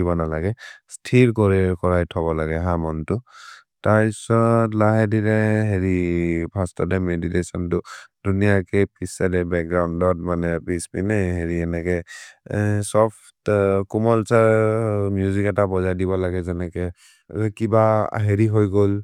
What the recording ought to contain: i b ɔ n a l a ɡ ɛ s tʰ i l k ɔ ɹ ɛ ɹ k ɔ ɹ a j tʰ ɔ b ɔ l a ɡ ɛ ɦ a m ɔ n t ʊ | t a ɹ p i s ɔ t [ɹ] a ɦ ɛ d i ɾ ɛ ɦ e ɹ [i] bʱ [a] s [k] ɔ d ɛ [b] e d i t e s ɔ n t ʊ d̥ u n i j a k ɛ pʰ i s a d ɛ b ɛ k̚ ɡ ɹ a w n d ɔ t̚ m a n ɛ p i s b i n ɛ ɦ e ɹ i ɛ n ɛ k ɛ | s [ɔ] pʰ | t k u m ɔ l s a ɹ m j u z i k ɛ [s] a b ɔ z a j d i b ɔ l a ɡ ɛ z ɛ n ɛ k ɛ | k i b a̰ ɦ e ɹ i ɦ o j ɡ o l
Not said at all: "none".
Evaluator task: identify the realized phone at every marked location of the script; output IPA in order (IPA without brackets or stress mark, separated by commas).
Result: l, i, a, t, m, ɔ, t